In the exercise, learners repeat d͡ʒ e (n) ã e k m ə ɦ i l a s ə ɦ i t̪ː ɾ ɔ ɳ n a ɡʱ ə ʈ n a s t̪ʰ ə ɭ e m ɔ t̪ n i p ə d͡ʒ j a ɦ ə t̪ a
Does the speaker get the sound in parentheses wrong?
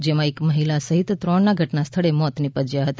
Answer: yes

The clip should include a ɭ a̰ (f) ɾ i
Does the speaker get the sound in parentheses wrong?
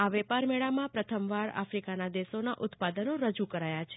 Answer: no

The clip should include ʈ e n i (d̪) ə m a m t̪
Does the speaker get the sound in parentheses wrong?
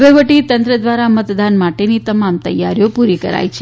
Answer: yes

